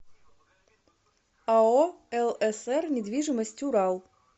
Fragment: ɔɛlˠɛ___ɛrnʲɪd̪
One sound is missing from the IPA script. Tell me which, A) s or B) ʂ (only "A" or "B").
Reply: A